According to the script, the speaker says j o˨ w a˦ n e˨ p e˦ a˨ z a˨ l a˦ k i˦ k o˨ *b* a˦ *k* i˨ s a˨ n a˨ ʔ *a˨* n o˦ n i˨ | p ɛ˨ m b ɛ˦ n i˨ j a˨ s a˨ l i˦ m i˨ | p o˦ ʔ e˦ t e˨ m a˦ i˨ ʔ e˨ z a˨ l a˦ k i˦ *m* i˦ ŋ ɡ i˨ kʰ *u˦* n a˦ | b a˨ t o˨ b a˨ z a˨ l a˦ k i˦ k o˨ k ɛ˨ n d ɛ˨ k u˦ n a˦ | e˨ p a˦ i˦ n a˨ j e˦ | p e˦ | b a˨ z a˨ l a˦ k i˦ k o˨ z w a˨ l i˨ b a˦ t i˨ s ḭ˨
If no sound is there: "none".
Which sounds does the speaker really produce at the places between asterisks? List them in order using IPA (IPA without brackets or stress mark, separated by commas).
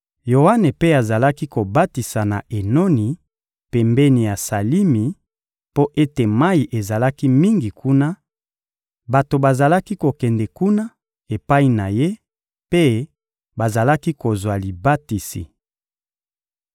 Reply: b, t, e˨, m, u˦